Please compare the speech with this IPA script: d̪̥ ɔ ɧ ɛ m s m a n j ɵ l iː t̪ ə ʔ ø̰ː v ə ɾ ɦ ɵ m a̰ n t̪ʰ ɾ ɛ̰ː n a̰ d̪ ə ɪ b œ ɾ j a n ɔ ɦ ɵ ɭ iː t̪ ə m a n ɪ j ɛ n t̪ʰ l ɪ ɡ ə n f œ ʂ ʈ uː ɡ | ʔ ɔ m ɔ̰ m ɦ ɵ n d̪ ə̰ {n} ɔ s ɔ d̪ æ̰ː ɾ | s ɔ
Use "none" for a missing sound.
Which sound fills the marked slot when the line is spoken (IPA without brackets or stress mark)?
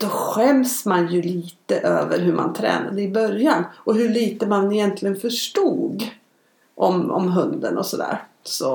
n